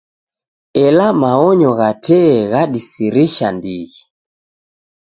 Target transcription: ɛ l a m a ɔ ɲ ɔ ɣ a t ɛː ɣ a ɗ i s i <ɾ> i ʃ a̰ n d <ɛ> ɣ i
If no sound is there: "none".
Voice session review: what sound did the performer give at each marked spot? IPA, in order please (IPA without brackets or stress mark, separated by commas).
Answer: ɾ, i